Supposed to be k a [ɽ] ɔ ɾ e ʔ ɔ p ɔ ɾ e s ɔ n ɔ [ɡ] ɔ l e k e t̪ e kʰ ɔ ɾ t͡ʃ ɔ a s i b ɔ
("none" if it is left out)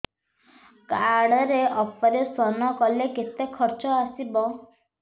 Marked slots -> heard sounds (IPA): ɽ, k

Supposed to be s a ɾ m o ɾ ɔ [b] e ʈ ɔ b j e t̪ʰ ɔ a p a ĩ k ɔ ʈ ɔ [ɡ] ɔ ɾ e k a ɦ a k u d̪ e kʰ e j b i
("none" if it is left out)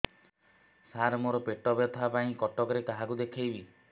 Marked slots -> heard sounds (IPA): p, k

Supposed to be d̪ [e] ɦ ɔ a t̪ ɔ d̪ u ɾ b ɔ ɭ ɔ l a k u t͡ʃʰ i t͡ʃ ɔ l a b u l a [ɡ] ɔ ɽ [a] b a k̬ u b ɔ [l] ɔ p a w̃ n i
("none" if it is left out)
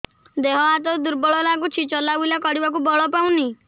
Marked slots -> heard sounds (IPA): e, k, i, ɭ

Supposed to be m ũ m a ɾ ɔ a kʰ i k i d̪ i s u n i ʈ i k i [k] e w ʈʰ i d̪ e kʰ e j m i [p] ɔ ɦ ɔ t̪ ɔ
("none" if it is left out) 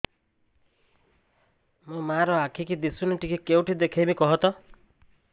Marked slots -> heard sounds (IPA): k, k

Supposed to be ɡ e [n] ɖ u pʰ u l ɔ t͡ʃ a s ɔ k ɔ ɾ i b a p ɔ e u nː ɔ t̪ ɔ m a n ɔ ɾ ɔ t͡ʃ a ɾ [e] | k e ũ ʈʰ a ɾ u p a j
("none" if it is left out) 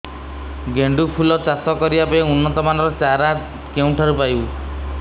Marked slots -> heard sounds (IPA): ɳ, a

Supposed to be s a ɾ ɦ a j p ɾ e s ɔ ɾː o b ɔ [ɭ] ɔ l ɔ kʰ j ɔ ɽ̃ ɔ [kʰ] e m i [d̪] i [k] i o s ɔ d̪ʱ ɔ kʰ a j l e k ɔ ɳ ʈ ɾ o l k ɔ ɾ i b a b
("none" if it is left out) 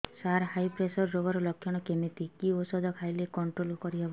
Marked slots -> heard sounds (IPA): ɾ, k, t̪, k

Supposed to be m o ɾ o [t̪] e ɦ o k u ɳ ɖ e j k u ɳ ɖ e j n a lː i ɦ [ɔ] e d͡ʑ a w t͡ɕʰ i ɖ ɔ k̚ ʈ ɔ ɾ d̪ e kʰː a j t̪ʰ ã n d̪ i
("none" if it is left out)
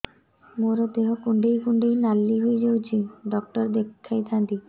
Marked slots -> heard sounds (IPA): d̪, o

